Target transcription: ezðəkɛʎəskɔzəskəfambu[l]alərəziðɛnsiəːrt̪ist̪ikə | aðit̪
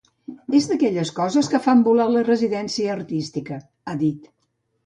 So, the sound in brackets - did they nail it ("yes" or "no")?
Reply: yes